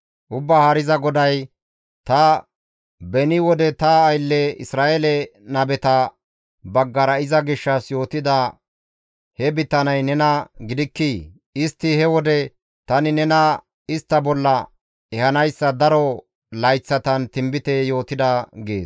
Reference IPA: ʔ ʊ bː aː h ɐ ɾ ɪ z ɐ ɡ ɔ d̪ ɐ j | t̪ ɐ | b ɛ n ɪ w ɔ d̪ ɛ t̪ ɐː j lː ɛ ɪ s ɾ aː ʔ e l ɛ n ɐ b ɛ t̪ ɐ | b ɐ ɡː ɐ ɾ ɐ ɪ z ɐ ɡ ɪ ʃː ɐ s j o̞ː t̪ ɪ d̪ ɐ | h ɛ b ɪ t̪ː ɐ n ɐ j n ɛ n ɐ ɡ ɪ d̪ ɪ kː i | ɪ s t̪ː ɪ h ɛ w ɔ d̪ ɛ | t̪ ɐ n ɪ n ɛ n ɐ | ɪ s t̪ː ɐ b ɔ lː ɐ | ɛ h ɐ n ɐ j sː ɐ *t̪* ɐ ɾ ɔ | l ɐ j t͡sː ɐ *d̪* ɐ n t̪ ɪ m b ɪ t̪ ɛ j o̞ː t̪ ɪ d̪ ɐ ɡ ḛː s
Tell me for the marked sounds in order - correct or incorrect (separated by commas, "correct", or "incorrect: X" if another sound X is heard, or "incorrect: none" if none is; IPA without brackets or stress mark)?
incorrect: d̪, incorrect: t̪